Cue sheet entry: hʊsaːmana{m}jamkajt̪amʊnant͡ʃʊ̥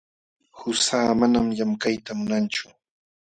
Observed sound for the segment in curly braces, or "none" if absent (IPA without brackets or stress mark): m